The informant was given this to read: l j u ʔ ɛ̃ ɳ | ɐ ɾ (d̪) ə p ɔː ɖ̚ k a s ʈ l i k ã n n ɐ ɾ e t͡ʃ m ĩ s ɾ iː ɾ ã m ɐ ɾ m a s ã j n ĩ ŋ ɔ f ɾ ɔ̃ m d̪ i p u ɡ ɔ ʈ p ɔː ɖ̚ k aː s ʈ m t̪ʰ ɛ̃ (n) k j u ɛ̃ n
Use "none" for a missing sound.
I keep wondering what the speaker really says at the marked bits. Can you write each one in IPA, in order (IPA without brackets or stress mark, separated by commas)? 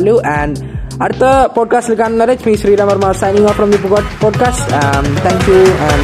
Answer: t̪, ŋ